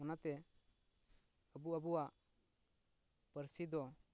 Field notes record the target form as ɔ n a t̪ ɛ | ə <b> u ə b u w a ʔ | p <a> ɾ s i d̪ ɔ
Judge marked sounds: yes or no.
yes, no

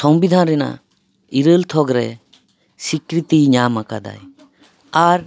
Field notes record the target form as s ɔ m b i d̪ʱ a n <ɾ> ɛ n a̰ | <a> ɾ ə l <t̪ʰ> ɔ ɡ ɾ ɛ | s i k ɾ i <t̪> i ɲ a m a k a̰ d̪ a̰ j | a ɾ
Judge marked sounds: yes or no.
yes, no, yes, yes

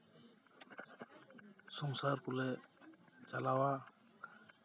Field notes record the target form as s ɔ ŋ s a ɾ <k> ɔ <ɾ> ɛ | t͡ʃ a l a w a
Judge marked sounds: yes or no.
yes, no

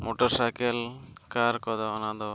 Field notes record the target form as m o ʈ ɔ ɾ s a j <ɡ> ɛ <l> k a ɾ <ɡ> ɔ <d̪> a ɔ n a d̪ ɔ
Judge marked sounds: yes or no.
no, yes, no, yes

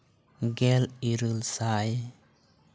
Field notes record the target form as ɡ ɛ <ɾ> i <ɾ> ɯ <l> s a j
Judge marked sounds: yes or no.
no, yes, yes

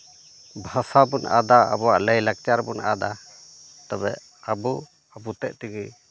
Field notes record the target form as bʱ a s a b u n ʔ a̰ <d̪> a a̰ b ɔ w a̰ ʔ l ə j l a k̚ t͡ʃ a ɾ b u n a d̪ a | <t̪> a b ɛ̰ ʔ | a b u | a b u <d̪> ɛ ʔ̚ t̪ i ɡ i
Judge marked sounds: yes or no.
yes, yes, no

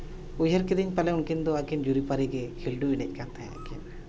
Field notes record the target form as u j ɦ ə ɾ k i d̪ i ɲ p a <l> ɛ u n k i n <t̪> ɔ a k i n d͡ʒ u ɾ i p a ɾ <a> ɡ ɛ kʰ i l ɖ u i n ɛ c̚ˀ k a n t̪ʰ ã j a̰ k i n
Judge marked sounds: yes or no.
yes, no, no

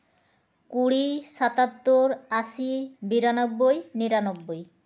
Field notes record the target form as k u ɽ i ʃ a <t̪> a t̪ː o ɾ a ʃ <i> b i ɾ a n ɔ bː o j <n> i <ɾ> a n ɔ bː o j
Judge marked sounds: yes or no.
yes, yes, yes, yes

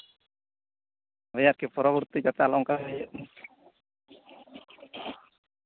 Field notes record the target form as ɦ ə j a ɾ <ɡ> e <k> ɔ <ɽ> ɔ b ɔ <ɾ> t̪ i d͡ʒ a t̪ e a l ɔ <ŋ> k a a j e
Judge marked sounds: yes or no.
no, no, no, yes, yes

